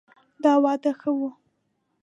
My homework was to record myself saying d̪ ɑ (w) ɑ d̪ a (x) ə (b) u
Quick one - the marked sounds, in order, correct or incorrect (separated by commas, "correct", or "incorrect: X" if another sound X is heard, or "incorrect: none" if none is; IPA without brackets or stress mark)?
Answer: correct, correct, incorrect: w